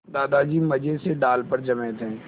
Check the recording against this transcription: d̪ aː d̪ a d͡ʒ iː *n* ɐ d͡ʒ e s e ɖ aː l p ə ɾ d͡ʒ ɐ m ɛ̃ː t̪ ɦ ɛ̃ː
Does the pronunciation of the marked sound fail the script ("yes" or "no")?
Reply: yes